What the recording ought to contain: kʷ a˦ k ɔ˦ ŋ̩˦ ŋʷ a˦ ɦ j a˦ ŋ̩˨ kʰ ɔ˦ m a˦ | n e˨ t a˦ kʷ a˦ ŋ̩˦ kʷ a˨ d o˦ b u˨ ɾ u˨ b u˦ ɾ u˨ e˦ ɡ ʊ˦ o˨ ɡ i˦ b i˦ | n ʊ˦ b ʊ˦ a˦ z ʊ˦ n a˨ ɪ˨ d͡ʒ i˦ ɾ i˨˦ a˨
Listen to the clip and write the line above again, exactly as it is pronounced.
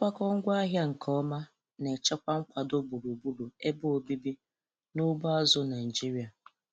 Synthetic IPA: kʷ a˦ k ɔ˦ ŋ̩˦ ɡʷ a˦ ɦ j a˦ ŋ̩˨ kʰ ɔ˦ m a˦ | n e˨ t͡ʃ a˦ kʷ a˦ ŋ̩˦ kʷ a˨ d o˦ b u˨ ɾ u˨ b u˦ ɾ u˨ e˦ b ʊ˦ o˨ b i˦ b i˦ | n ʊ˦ b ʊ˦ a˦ z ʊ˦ n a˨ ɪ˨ d͡ʒ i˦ ɾ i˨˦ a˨